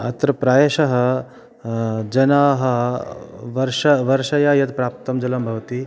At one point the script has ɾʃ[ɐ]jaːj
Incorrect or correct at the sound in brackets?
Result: correct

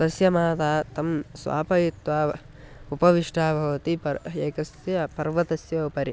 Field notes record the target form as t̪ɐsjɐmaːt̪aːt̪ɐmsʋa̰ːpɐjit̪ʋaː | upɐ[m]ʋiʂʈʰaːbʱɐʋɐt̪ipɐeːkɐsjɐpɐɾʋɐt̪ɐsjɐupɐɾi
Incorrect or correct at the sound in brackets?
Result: incorrect: none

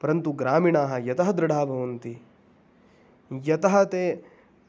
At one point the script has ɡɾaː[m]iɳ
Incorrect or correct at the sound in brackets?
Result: correct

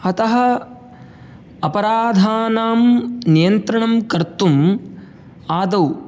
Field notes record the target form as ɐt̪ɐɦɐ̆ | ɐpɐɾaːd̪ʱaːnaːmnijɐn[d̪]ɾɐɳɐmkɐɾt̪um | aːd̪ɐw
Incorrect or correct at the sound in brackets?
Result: incorrect: t̪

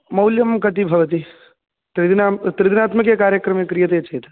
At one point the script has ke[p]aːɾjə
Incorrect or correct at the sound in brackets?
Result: incorrect: k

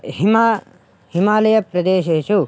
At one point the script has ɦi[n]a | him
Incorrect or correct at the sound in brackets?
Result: incorrect: m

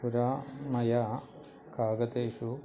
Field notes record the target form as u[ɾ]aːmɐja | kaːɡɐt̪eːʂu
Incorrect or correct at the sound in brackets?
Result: correct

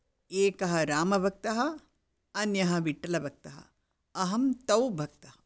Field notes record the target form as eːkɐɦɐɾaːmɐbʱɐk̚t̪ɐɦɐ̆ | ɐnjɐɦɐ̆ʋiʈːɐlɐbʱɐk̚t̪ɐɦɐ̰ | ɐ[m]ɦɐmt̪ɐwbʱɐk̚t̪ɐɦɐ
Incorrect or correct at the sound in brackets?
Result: incorrect: none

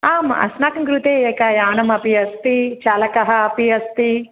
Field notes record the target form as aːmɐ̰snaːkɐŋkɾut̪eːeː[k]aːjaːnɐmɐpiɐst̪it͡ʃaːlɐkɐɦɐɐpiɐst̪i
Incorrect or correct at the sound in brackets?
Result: correct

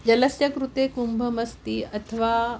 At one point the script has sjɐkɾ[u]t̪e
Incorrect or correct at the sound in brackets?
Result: correct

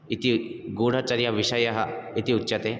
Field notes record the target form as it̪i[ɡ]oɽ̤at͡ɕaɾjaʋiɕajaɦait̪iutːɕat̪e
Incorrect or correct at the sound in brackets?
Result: correct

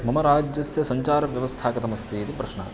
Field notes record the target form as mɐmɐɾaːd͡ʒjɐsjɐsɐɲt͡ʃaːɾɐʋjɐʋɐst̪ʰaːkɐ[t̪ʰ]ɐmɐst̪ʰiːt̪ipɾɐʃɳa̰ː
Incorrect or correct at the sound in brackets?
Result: incorrect: t̪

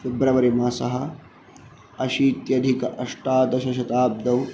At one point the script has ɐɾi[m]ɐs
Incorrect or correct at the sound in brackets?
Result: correct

